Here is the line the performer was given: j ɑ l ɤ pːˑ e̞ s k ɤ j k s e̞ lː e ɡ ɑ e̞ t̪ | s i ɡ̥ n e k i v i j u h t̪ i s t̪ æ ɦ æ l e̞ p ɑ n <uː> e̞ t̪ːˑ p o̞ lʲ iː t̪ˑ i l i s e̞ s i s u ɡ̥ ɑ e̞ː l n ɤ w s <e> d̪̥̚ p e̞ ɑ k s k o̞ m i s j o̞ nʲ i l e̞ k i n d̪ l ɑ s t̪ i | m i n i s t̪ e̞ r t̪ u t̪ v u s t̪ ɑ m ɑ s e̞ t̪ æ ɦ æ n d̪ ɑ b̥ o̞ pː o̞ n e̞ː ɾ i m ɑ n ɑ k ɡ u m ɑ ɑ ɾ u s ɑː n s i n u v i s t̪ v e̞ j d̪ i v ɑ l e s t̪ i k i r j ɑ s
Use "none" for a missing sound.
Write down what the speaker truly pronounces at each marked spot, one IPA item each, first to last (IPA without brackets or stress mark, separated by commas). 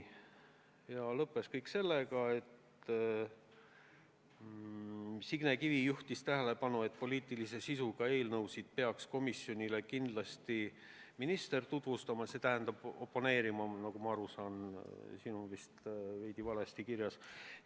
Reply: u, i